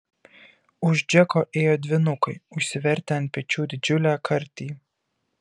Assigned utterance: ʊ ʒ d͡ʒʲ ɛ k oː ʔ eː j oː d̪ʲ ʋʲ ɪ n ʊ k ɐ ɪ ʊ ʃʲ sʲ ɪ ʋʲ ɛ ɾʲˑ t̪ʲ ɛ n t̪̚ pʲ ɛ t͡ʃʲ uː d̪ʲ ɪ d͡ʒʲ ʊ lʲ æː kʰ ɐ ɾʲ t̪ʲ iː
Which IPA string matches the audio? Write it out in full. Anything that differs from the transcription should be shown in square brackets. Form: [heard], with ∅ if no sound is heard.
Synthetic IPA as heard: ʊ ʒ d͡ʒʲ ɛ k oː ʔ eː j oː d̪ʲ ʋʲ ɪ n ʊ k ɐ ɪ ʊ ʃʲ sʲ ɪ ʋʲ ɛ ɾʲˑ t̪ʲ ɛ n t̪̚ pʲ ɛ t͡ʃʲ uː d̪ʲ ɪ d͡ʒʲ ʊ lʲ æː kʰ ɐ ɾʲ t̪ʲ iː